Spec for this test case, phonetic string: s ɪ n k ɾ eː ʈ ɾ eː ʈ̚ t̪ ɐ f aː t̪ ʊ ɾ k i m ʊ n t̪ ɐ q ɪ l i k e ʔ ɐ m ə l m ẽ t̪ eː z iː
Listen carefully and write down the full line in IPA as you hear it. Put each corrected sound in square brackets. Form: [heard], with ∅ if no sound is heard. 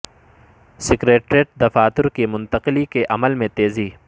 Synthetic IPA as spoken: s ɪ [∅] k ɾ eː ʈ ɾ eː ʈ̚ [d̪] ɐ f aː t̪ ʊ ɾ k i m ʊ n t̪ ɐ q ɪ l i k e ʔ ɐ m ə l m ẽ t̪ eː z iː